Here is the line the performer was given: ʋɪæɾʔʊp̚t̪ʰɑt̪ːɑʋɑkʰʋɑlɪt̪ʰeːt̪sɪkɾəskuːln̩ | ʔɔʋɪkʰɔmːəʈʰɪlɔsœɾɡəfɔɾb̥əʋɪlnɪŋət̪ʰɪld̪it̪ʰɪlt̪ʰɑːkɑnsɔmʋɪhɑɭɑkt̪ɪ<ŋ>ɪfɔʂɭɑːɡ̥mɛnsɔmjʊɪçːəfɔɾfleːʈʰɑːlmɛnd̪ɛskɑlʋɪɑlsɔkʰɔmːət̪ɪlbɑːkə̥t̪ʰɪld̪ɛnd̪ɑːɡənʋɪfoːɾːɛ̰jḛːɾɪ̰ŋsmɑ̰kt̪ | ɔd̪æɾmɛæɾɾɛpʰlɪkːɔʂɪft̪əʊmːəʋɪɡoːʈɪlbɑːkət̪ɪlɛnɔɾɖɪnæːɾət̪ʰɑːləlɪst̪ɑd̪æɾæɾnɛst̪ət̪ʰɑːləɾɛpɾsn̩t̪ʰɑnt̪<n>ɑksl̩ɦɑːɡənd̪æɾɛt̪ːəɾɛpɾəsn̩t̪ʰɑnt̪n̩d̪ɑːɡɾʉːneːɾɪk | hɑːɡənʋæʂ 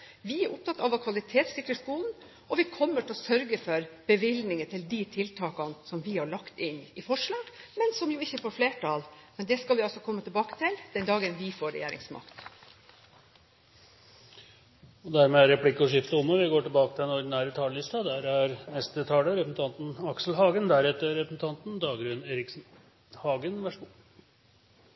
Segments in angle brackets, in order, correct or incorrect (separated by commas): incorrect, correct